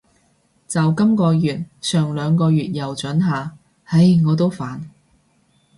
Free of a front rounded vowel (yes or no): no